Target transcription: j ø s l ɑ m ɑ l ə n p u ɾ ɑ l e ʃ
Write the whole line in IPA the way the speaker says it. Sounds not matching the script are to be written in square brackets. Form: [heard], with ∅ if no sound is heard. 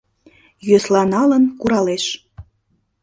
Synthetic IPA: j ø s l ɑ [n] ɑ l ə n [k] u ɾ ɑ l e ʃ